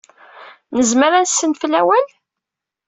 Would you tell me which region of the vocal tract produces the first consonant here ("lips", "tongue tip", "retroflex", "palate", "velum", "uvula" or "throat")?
tongue tip